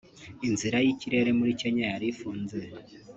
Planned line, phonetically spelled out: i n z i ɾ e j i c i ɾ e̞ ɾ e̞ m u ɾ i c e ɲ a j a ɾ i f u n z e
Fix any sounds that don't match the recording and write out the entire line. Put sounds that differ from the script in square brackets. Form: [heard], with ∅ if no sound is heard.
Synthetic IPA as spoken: i n z i ɾ [a] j i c i ɾ e̞ ɾ e̞ m u ɾ i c e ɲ a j a ɾ i f [uː] n z e